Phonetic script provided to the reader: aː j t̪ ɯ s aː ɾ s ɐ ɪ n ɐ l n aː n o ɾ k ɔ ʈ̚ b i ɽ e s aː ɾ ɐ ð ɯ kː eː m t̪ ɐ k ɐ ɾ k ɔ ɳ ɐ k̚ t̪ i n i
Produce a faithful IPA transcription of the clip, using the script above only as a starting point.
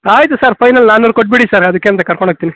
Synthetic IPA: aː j t̪ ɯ s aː ɾ f ɐ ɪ n ɐ l n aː n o ɾ k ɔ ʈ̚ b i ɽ i s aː ɾ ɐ ð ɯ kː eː m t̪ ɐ k ɐ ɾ k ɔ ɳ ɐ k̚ t̪ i n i